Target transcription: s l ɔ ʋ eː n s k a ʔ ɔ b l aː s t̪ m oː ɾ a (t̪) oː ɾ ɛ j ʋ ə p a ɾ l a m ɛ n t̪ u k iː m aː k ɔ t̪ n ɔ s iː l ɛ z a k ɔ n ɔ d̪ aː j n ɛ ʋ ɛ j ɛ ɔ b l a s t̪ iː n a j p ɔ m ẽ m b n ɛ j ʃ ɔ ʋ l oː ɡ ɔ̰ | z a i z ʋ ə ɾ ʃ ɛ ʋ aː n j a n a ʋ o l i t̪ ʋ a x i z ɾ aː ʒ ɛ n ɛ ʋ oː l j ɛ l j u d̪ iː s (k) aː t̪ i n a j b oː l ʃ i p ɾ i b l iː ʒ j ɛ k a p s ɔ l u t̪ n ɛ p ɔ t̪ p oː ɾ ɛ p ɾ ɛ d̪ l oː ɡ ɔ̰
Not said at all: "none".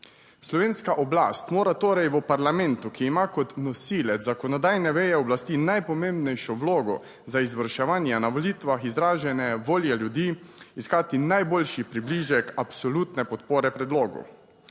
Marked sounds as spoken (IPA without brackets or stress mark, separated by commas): t̪, k